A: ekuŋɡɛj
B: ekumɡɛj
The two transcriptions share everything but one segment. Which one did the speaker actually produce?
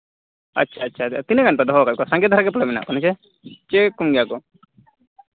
B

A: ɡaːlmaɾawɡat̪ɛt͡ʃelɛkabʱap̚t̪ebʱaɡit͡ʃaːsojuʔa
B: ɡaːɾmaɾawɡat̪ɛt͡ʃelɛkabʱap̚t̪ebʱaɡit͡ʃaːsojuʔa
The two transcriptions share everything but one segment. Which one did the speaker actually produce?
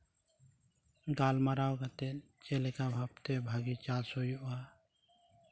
A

